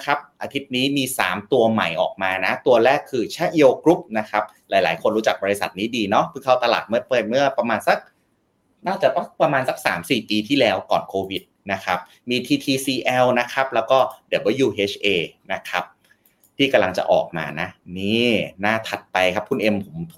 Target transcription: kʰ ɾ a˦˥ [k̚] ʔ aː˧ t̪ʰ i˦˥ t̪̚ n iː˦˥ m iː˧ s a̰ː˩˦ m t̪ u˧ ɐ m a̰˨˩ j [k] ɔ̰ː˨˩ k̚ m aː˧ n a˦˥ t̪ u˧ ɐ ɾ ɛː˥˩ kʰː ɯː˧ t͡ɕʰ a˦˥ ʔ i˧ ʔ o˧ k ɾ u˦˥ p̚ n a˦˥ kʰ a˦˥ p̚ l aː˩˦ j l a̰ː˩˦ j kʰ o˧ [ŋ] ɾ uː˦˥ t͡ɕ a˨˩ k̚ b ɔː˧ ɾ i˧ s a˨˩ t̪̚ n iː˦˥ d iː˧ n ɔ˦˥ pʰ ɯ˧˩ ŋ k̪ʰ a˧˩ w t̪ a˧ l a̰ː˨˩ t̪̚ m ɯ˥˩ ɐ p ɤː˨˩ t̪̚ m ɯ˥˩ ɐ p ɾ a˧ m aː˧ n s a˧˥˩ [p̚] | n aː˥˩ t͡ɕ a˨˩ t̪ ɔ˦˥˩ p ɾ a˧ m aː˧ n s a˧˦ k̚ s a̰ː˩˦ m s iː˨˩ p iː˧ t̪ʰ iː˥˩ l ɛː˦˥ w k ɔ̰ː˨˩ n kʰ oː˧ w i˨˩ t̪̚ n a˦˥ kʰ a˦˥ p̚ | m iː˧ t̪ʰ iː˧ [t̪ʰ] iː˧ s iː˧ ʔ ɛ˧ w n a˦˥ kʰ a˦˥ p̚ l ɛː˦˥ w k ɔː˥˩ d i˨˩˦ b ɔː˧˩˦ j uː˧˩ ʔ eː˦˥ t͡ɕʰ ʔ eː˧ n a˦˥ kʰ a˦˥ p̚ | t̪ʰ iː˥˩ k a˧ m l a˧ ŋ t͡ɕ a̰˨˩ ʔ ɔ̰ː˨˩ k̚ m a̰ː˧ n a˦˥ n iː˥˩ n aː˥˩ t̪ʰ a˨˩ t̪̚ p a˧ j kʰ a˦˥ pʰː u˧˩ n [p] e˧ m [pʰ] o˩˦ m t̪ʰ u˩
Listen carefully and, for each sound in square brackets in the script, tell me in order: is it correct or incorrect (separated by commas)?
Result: incorrect, incorrect, incorrect, incorrect, correct, incorrect, correct